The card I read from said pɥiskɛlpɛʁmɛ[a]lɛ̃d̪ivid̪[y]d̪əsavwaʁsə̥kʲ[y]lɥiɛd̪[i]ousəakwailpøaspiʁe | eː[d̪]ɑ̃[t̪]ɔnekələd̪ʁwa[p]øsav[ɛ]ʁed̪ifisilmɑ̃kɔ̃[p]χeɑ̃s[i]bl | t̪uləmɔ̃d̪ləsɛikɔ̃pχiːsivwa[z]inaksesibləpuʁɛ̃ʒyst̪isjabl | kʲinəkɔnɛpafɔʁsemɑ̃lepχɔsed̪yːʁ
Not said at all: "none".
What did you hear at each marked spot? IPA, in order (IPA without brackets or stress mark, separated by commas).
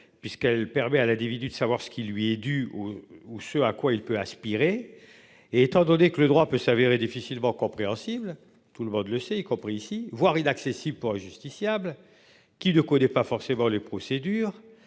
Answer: a, y, i, y, t̪, d̪, p, e, p, i, ʁ